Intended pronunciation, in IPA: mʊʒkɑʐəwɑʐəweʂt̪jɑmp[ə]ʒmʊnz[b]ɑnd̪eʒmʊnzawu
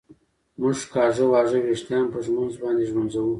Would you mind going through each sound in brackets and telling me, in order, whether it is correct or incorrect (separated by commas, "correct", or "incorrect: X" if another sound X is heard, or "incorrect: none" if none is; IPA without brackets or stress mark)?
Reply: correct, correct